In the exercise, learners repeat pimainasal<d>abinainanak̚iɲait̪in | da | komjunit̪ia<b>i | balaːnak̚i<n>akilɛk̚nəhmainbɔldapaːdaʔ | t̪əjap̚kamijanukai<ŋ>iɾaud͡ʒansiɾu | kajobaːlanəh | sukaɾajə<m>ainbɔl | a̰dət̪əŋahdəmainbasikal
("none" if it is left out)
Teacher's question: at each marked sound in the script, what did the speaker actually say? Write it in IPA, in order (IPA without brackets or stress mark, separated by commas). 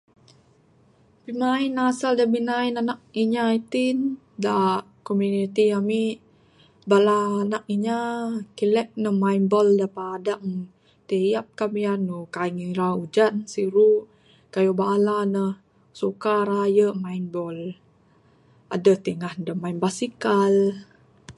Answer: d, m, ɲ, ŋ, m